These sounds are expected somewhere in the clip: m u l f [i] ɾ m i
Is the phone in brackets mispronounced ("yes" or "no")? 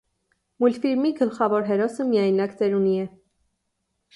no